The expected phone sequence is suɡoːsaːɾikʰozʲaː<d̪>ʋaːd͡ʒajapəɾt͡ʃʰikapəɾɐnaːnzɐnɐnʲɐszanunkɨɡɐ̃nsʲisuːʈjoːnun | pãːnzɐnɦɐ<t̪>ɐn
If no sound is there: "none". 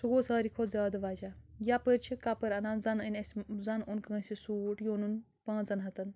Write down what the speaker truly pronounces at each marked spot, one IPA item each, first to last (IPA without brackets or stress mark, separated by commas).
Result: d̪, t̪